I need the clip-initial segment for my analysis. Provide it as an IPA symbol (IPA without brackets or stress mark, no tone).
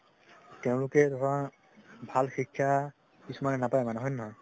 t